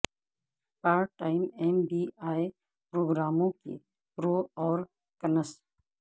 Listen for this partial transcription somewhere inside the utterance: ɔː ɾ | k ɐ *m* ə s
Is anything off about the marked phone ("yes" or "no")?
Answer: yes